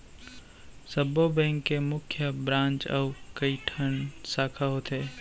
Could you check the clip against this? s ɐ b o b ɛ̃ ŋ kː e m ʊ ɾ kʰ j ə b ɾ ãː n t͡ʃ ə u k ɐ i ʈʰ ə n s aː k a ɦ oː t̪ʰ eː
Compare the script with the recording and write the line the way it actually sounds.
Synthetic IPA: s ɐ b o b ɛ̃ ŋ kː e m ʊ kʰ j ə b ɾ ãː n t͡ʃ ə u k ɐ i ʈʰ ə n s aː kʰ a ɦ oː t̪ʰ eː